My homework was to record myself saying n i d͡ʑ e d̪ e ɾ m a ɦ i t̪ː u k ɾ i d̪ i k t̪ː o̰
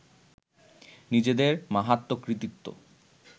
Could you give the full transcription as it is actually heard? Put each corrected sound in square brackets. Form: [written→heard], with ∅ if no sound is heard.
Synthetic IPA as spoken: n i d͡ʑ e d̪ e ɾ m a ɦ [i→a] t̪ː [u→o] k ɾ i [d̪→t̪] i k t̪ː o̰